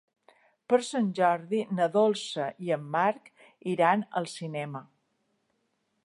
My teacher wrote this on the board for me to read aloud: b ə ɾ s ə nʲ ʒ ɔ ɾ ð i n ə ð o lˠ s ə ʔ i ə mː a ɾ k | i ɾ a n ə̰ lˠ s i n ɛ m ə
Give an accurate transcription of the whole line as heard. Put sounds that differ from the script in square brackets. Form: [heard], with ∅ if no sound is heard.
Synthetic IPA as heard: [p] ə ɾ s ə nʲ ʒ ɔ ɾ ð i n ə ð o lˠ s ə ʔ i ə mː a ɾ k | i ɾ a n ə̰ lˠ s i n ɛ m ə